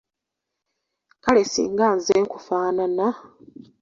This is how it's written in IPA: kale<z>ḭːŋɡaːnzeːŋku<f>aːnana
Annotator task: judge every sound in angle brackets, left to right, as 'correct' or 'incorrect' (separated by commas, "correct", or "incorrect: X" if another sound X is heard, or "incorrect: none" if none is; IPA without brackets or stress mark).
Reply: incorrect: s, correct